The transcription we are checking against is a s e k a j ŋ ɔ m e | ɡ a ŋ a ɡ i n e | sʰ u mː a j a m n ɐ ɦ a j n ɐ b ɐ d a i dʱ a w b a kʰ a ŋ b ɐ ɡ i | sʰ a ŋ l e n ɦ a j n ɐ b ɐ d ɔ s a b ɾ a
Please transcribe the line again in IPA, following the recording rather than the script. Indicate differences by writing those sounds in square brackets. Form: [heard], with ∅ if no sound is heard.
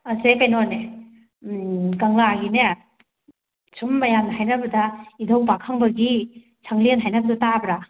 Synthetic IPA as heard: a s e k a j [n] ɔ [n] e | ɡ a ŋ a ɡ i n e | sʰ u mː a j a m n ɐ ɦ a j n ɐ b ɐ d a i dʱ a w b a kʰ a ŋ b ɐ ɡ i | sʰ a ŋ l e n ɦ a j n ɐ b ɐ d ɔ [t] a b ɾ a